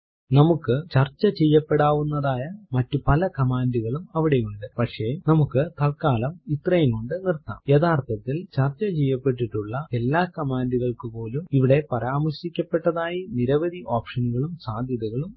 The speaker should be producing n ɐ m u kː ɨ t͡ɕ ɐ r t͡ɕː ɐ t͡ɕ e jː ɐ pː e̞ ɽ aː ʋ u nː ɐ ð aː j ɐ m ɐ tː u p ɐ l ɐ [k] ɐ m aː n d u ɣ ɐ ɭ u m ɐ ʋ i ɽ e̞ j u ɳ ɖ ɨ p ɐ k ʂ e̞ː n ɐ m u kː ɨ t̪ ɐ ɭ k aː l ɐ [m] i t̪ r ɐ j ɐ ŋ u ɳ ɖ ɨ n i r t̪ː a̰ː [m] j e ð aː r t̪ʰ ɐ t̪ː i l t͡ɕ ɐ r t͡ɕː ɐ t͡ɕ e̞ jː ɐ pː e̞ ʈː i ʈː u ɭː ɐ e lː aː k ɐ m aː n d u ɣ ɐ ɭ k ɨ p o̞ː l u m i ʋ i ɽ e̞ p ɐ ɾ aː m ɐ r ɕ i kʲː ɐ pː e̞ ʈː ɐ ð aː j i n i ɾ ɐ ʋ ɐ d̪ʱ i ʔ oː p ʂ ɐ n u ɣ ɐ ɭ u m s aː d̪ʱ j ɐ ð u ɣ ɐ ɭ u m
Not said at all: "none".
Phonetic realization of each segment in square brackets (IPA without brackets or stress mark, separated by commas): k, m, m